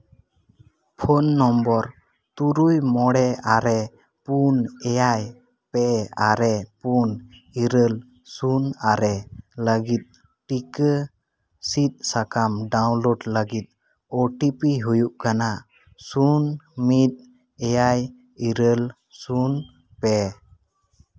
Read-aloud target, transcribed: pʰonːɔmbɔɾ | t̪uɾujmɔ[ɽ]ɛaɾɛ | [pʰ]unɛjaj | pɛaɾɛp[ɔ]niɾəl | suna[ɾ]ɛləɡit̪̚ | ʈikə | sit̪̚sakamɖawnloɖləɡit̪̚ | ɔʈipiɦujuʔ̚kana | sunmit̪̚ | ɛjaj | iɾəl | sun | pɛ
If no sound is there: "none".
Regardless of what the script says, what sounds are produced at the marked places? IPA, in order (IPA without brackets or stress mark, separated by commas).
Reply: ɽ, p, u, ɾ